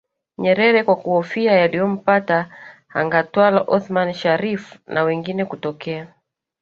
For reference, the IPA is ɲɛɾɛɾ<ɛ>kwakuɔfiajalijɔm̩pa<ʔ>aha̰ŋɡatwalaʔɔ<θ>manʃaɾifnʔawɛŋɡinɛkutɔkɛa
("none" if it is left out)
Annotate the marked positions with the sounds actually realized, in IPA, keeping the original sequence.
ɛ, t, θ

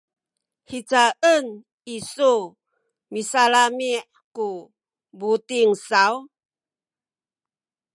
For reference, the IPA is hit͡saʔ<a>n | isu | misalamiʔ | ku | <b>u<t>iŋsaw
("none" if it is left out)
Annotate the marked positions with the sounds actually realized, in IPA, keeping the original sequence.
ə, b, t

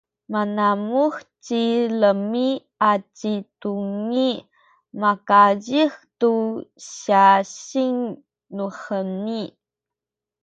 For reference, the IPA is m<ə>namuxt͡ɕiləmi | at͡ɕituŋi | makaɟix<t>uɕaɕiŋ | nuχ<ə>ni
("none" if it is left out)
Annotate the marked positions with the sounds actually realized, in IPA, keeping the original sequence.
a, t, ə

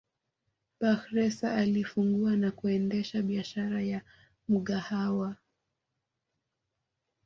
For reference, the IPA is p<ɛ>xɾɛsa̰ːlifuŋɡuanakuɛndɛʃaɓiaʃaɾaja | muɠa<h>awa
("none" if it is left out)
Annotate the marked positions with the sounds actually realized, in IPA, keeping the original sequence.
a, h

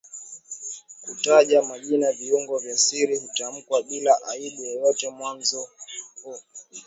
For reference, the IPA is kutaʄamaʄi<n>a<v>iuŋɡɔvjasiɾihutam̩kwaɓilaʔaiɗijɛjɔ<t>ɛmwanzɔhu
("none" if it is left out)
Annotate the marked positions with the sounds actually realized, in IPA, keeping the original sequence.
n, v, t

